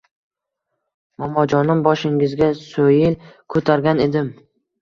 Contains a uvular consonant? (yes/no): no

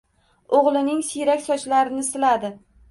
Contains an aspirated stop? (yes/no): no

